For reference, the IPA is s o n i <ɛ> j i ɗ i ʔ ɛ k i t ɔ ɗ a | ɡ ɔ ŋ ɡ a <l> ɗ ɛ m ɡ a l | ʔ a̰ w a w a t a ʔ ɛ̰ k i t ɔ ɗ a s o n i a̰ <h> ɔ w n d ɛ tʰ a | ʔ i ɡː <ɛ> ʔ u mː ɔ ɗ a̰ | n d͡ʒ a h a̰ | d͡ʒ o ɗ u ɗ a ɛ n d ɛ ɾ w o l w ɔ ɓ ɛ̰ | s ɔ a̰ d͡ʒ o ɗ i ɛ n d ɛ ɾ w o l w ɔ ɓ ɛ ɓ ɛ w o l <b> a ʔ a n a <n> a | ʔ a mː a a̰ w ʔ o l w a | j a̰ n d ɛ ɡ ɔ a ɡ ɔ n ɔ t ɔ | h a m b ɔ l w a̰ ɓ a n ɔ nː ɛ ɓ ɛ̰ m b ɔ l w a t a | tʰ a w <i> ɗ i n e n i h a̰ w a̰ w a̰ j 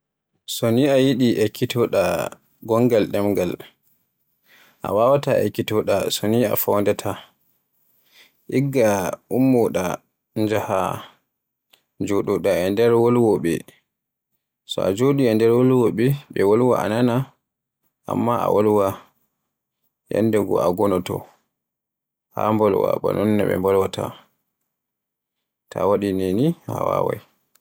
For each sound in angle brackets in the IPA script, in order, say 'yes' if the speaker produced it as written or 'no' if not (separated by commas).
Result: no, yes, no, no, no, yes, no